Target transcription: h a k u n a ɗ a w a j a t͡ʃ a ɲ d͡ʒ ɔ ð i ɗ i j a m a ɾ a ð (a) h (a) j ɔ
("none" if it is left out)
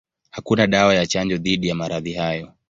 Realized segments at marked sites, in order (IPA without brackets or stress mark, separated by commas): i, a